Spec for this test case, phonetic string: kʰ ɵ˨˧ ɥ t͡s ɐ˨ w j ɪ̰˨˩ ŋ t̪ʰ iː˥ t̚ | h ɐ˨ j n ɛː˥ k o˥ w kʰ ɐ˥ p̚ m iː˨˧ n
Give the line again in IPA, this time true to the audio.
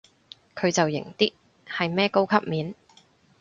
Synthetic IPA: kʰ ɵ˨˧ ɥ t͡s ɐ˨ w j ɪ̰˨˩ ŋ t̪ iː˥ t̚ | h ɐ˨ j m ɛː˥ k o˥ w kʰ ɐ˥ p̚ m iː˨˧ n